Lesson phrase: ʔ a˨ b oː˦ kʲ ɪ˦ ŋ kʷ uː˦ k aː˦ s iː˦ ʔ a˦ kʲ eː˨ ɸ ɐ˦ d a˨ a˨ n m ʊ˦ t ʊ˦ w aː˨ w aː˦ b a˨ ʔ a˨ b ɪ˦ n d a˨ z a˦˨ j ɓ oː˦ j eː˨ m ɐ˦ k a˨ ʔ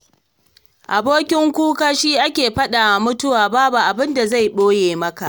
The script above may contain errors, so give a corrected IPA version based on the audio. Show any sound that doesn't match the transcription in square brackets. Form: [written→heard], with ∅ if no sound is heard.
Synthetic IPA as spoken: ʔ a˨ b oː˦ kʲ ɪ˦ ŋ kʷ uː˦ k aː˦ [s→ʃ] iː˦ ʔ a˦ kʲ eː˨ ɸ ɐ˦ [d→ɗ] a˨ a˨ [n→∅] m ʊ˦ t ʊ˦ w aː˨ [w→b] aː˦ b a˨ ʔ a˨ b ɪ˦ n d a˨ z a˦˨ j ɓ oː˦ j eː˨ m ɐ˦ k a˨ ʔ